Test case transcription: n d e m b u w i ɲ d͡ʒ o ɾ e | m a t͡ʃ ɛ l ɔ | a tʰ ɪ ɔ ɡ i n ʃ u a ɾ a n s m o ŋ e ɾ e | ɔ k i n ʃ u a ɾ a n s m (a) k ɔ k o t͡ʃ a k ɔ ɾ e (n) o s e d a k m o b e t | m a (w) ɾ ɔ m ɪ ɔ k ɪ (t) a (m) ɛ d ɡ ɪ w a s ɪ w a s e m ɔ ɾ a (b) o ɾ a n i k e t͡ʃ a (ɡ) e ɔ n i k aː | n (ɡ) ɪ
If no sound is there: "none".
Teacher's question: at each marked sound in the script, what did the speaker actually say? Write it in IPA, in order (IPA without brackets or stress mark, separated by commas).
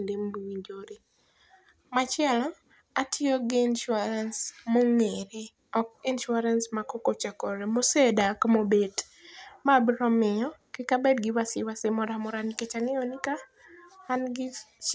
a, m, b, k, b, m, ŋ, ɡ